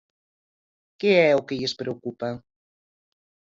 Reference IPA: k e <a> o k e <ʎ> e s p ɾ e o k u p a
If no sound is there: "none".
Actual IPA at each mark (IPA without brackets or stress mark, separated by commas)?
ɛ, ʎ